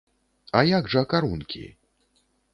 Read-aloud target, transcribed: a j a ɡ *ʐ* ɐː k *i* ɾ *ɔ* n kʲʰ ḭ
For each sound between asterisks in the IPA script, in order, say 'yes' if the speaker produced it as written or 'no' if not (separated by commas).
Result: yes, no, no